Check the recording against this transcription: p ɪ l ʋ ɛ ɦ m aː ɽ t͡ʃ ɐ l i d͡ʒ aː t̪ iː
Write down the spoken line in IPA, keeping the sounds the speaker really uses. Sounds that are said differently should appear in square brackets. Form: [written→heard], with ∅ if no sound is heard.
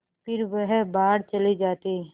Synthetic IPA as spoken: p ɪ [l→ɾ] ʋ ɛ ɦ [m→b] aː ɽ t͡ʃ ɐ l i d͡ʒ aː t̪ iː